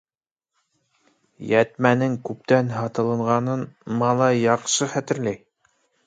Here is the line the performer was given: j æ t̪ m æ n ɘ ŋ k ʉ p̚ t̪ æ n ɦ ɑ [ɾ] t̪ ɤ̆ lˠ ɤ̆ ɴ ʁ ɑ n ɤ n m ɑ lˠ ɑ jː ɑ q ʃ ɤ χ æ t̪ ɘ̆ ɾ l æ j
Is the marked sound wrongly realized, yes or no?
yes